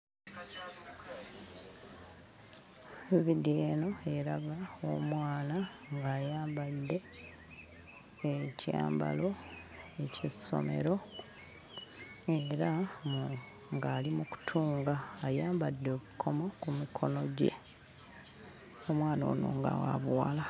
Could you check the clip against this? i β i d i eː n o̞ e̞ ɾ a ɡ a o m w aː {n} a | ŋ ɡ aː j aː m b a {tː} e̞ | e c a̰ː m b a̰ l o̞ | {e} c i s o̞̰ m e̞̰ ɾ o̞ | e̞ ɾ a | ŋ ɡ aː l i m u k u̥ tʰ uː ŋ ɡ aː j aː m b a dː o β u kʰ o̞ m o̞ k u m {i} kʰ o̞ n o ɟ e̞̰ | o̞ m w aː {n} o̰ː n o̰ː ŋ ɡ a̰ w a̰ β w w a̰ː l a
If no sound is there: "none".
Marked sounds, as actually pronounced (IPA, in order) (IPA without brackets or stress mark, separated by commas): n, dː, e, i, n